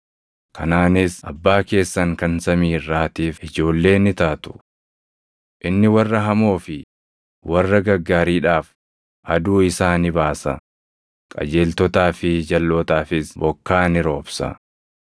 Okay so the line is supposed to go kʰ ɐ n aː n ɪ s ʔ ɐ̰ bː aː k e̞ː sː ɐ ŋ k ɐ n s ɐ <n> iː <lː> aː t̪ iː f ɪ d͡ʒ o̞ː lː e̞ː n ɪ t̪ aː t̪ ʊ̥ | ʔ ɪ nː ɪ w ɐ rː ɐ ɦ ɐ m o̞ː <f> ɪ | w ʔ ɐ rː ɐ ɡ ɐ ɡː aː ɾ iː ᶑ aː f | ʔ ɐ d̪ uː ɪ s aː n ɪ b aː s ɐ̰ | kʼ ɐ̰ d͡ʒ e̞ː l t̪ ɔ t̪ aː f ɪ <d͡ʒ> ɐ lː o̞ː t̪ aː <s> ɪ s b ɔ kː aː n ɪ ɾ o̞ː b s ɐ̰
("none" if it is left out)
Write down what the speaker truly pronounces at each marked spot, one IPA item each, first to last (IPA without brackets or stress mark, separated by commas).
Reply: m, rː, f, d͡ʒ, f